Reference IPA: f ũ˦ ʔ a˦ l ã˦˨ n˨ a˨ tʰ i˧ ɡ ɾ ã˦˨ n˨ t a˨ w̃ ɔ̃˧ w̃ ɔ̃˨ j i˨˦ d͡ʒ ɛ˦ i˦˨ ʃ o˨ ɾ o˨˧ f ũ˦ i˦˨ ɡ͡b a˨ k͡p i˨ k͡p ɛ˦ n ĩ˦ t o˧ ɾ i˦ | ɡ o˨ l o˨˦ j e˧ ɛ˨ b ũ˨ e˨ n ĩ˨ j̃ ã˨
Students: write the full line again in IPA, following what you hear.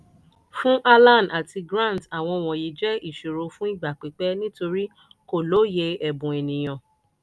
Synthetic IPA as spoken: f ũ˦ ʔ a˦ l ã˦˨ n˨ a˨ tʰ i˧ ɡ ɾ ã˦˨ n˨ t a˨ w̃ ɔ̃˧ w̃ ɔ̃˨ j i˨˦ d͡ʒ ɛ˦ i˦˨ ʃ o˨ ɾ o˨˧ f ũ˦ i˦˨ ɡ͡b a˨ k͡p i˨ k͡p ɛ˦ n ĩ˦ t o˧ ɾ i˦ | k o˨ l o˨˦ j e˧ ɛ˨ b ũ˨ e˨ n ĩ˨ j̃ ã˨